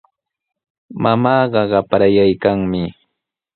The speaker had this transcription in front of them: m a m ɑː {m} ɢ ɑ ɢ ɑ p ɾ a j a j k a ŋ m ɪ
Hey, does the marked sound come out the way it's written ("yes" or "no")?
no